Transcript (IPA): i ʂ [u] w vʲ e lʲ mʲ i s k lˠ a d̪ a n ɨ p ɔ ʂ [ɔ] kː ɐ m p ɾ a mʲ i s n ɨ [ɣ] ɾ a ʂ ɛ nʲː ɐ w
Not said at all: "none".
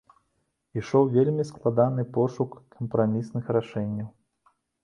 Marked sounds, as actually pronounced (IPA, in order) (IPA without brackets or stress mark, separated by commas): ɔ, u, x